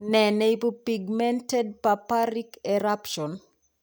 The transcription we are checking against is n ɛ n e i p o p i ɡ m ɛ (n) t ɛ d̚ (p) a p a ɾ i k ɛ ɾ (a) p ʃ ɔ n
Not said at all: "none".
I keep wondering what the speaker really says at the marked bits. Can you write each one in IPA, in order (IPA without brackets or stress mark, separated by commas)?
n, p, a